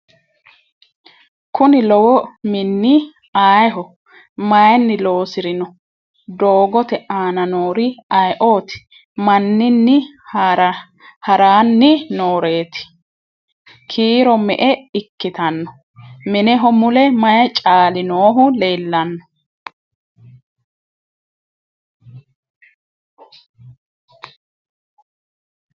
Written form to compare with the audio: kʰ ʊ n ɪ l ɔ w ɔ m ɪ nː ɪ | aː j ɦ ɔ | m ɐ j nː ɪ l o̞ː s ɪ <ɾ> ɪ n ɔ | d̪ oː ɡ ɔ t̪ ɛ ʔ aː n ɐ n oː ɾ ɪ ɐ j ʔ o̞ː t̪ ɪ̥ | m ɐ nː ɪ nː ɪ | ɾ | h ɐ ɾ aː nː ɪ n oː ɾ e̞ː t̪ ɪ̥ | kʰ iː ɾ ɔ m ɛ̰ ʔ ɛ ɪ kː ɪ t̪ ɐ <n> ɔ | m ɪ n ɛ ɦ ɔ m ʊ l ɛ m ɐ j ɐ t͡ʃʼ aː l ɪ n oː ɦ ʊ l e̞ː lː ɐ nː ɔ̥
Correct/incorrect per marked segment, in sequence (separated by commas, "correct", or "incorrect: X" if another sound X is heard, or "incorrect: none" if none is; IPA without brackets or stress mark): correct, incorrect: nː